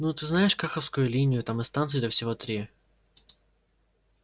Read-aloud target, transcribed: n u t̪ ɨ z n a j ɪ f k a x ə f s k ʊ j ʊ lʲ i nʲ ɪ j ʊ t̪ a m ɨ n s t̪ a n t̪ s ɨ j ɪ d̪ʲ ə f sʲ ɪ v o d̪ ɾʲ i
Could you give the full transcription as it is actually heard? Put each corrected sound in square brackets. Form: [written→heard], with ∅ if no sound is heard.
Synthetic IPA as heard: n u t̪ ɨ z n a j ɪ [f→ʂ] k a x ə f s k ʊ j ʊ lʲ i nʲ ɪ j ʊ t̪ a m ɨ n s t̪ a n t̪ s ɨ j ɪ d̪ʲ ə f sʲ ɪ v o [d̪→t̪] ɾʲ i